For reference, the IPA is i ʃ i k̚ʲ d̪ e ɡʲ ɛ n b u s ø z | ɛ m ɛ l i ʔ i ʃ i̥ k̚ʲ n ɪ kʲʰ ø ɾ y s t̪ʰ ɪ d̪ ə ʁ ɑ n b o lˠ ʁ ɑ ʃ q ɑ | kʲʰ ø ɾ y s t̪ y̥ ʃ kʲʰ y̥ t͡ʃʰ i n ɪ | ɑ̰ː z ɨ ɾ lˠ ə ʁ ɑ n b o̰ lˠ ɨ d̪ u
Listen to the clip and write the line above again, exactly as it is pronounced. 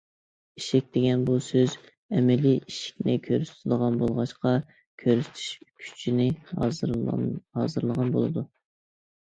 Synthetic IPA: i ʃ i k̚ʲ d̪ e ɡʲ ɛ n b u s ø z | ɛ m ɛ l i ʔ i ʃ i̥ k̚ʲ n ɪ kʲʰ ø ɾ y s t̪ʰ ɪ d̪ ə ʁ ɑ n b o lˠ ʁ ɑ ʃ q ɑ | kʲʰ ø ɾ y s t̪ʰ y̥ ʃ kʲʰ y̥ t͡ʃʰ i n ɪ | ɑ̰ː z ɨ ɾ lˠ ə ʁ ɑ n b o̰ lˠ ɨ d̪ u